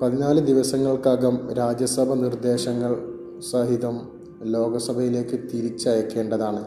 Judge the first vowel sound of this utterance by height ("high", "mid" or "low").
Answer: low